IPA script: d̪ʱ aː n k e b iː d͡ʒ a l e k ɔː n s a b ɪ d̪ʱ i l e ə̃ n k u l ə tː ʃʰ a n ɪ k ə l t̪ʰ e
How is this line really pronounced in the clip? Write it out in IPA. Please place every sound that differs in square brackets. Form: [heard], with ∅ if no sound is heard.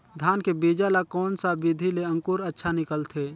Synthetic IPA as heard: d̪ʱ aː n k e b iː d͡ʒ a l [a] k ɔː n s a b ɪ d̪ʱ i l e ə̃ [ŋ] k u [ɾ] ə tː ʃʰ a n ɪ k ə l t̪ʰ e